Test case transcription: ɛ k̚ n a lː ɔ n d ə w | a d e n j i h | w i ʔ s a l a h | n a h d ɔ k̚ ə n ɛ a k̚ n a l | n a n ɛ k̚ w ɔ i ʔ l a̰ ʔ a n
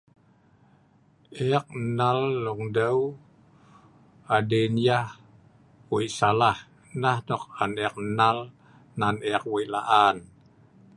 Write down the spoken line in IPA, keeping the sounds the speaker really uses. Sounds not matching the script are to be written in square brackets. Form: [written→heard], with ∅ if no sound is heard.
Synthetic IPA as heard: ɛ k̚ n a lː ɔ [n→ŋ] d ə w | a d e n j [i→a] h | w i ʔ s a l a h | n a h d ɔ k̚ [ə→a] n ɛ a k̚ n a l | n a n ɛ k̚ w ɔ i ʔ l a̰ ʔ a n